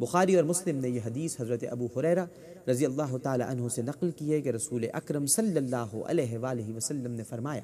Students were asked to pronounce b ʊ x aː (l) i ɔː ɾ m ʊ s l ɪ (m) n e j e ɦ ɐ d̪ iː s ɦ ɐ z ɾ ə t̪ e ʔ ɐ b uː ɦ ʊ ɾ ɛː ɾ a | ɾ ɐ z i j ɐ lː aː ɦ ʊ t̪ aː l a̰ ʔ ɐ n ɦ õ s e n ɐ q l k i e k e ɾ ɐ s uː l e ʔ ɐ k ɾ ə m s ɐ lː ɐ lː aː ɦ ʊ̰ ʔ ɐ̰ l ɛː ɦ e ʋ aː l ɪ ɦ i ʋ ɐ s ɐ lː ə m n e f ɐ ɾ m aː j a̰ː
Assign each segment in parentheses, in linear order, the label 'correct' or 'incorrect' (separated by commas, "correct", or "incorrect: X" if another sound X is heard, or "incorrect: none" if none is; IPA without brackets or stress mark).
incorrect: ɾ, correct